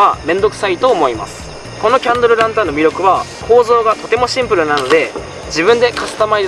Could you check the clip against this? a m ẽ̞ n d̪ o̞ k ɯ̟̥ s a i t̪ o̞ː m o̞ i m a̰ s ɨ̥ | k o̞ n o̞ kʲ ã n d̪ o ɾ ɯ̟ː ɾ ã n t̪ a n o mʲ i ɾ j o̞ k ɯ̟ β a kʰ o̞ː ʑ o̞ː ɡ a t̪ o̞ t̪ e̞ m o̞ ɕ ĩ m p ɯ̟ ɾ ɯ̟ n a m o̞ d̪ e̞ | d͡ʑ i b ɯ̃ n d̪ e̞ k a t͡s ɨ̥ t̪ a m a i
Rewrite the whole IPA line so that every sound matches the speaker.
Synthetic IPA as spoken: a m ẽ̞ n d̪ o̞ k ɯ̟̥ s a i t̪ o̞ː m o̞ i m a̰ s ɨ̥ | k o̞ n o̞ kʲ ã n d̪ o ɾ ɯ̟ ɾ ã n t̪ a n o mʲ i ɾ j o̞ k ɯ̟ β a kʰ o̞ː z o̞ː ɡ a t̪ o̞ t̪ e̞ m o̞ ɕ ĩ m p ɯ̟ ɾ ɯ̟ n a n o̞ d̪ e̞ | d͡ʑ i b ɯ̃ n d̪ e̞ k a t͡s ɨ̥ t̪ a m a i

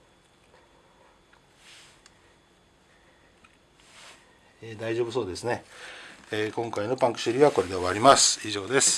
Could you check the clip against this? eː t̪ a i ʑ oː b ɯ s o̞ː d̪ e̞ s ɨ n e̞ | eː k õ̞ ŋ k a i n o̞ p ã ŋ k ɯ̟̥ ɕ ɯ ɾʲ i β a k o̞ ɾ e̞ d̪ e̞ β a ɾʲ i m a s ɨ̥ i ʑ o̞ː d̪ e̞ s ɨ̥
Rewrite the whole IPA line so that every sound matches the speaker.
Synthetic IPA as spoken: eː d̪ a i ʑ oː b ɯ s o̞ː d̪ e̞ s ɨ n e̞ | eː k õ̞ ŋ k a i n o̞ p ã ŋ k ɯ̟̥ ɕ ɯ ɾʲ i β a k o̞ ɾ e̞ d̪ e̞ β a ɾʲ i m a s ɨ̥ i ʑ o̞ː d̪ e̞ s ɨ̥

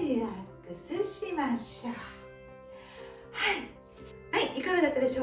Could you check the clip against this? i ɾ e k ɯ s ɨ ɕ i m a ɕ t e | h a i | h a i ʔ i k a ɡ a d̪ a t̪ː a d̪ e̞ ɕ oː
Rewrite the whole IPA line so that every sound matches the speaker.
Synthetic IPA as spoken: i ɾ a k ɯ s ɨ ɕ i m a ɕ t a | h a i | h a i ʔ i k a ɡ a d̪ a t̪ː a d̪ e̞ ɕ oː

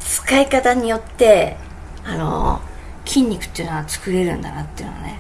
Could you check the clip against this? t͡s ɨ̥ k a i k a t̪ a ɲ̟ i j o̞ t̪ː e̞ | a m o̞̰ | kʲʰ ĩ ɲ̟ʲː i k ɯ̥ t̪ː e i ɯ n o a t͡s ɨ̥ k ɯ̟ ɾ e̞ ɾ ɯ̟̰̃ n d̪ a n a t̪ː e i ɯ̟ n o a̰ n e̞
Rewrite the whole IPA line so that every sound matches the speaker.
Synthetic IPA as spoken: t͡s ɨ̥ k a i k a t̪ a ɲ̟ i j o̞ t̪ː e̞ | a n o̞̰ | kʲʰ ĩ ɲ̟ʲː i k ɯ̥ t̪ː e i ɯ n o a t͡s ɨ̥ k ɯ̟ ɾ e̞ ɾ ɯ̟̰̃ n d̪ a n a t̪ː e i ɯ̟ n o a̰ n e̞

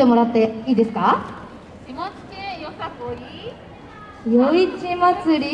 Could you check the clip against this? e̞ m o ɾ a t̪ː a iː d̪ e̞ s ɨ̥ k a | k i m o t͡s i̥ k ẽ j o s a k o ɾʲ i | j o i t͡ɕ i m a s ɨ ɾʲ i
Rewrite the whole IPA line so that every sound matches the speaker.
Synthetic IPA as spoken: e̞ m o ɾ a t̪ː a iː d̪ e̞ s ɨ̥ k a | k i m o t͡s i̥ k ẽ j o s a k o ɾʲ i | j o i t͡ɕ i m a t͡s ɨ ɾʲ i

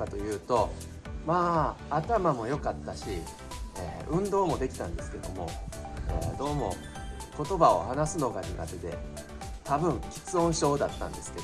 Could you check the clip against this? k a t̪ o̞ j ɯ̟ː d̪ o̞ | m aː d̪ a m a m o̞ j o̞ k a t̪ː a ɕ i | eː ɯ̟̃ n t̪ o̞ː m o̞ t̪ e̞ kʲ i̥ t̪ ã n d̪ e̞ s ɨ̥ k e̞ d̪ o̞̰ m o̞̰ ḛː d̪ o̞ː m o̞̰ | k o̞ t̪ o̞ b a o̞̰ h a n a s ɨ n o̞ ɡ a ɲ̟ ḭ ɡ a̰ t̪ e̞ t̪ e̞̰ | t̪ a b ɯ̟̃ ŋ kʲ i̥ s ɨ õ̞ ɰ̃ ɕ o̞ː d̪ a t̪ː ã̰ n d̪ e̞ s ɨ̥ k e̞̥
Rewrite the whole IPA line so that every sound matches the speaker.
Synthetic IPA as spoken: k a t̪ o̞ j ɯ̟ː t̪ o̞ | m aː t̪ a m a m o̞ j o̞ k a t̪ː a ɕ i | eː ɯ̟̃ n d̪ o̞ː m o̞ d̪ e̞ kʲ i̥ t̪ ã n d̪ e̞ s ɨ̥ k e̞ d̪ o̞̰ m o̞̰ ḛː d̪ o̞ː m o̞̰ | k o̞ t̪ o̞ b a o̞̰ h a n a s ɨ n o̞ ɡ a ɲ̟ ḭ ɡ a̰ t̪ e̞ d̪ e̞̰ | t̪ a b ɯ̟̃ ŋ kʲ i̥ t͡s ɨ õ̞ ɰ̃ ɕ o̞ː d̪ a t̪ː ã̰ n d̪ e̞ s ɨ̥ k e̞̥

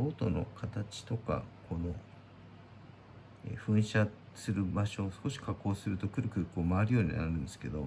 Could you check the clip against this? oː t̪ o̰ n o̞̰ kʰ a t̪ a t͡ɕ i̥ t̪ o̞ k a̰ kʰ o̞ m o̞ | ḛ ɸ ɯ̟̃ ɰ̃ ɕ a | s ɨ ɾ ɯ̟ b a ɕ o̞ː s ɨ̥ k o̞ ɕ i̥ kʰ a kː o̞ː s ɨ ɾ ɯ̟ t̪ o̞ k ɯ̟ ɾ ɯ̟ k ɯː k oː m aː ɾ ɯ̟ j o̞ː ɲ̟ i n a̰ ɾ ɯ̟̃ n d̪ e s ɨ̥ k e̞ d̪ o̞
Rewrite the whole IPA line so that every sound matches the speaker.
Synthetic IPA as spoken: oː t̪ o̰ n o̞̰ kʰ a t̪ a t͡ɕ i̥ t̪ o̞ k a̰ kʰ o̞ n o̞ | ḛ ɸ ɯ̟̃ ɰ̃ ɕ a | s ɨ ɾ ɯ̟ b a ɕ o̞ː s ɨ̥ k o̞ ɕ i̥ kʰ a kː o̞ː s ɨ ɾ ɯ̟ t̪ o̞ k ɯ̟ ɾ ɯ̟ k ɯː k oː m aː ɾ ɯ̟ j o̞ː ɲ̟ i n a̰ ɾ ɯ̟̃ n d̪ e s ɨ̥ k e̞ d̪ o̞

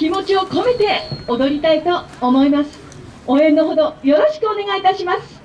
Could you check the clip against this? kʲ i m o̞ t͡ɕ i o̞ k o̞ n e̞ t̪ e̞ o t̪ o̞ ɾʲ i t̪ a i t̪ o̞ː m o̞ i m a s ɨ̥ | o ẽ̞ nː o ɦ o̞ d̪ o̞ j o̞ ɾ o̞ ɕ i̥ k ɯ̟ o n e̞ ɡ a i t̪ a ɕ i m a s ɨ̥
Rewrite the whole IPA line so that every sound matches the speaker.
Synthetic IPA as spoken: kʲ i m o̞ t͡ɕ i o̞ k o̞ m e̞ t̪ e̞ o d̪ o̞ ɾʲ i t̪ a i t̪ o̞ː m o̞ i m a s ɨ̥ | o ẽ̞ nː o ɦ o̞ d̪ o̞ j o̞ ɾ o̞ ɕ i̥ k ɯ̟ o n e̞ ɡ a i t̪ a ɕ i m a s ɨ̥

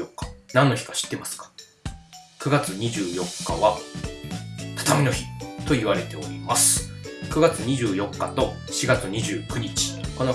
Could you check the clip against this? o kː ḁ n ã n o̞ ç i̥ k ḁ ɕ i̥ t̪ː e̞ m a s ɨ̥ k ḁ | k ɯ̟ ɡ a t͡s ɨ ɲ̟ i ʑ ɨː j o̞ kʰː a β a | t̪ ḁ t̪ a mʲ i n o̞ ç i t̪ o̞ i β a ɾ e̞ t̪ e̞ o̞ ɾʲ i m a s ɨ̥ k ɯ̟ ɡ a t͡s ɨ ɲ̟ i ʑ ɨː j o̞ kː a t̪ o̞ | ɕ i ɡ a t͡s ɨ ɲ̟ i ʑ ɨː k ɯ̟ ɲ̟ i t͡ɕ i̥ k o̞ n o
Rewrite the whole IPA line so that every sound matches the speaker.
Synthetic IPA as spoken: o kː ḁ n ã nː o̞ ç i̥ k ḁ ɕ i̥ t̪ː e̞ m a s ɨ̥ k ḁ | k ɯ̟ ɡ a t͡s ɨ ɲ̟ i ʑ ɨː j o̞ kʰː a β a | t̪ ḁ t̪ a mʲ i n o̞ ç i t̪ o̞ i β a ɾ e̞ t̪ e̞ o̞ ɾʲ i m a s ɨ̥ k ɯ̟ ɡ a t͡s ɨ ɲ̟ i ʑ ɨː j o̞ kː a t̪ o̞ | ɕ i ɡ a t͡s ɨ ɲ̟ i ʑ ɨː k ɯ̟ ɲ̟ i t͡ɕ i̥ k o̞ n o

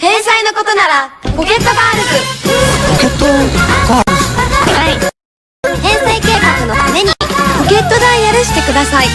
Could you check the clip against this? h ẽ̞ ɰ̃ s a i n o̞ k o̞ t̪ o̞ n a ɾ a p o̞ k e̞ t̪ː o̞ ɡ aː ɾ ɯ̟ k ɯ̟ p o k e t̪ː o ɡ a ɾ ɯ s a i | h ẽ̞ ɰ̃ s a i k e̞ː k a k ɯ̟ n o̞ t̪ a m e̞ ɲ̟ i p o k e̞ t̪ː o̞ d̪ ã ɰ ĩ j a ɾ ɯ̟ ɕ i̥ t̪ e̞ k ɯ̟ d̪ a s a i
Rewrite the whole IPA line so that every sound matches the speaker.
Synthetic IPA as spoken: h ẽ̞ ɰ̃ s a i n o̞ k o̞ t̪ o̞ n a ɾ a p o̞ k e̞ t̪ː o̞ b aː ɾ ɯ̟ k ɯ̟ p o k e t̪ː o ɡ a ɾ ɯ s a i | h ẽ̞ ɰ̃ s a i k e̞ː k a k ɯ̟ n o̞ t̪ a m e̞ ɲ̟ i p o k e̞ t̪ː o̞ d̪ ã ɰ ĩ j a ɾ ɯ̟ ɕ i̥ t̪ e̞ k ɯ̟ d̪ a s a i

